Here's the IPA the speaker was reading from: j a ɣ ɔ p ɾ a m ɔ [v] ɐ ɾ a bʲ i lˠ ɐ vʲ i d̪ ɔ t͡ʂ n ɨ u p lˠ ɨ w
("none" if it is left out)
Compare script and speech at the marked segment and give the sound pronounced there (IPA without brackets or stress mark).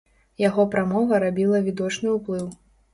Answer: v